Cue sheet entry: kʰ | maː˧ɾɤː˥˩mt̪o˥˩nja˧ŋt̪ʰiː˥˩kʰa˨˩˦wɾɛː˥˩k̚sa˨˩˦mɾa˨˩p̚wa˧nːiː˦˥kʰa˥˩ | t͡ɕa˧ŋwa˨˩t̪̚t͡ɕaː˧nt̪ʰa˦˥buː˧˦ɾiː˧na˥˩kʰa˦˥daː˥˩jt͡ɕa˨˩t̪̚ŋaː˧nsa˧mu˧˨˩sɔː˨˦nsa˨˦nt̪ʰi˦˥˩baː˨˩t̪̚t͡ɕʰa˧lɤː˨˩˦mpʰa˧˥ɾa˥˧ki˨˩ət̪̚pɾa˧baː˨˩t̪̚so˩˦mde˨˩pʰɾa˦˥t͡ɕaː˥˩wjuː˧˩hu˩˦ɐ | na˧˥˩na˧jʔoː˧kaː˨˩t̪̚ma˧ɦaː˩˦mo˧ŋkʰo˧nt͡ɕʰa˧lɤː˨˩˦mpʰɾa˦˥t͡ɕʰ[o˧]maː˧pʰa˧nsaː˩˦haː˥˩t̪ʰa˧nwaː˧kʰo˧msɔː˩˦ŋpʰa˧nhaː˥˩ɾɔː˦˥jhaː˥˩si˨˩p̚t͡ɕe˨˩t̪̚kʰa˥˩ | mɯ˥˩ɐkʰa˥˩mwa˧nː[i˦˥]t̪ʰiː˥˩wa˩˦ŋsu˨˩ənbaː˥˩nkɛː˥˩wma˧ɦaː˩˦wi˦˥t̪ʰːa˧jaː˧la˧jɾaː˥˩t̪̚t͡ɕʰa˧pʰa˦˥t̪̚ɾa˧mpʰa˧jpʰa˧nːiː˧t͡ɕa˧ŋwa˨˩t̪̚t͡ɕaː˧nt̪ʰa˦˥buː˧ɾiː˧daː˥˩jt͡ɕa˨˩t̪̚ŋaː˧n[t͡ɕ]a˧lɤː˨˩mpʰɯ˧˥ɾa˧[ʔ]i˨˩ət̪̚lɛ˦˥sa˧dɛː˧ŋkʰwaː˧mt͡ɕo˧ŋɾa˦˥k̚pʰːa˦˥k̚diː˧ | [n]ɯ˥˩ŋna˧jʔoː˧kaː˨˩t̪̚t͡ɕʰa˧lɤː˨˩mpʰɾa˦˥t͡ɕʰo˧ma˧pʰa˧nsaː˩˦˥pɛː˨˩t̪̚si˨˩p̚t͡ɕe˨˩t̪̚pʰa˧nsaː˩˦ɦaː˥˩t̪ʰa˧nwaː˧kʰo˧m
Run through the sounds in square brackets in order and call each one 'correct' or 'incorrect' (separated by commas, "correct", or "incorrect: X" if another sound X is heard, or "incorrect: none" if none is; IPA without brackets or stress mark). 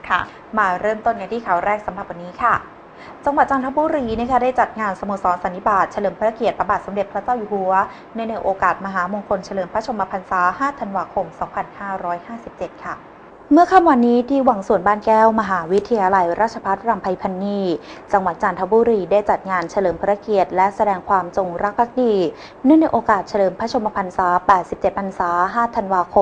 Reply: correct, incorrect: iː˦˥, incorrect: t͡ɕʰ, incorrect: k, correct